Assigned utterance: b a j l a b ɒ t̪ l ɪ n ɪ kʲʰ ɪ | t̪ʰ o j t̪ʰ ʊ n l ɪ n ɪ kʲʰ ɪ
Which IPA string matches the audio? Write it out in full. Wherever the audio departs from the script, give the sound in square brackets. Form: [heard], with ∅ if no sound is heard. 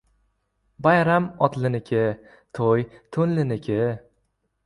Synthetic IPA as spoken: b a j [ɾ] a [m] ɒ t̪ l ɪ n ɪ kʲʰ ɪ | t̪ʰ o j t̪ʰ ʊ n l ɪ n ɪ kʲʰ ɪ